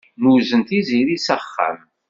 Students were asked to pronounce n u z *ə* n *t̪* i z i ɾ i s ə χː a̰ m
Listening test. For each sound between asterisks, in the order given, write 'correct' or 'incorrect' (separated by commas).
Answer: correct, correct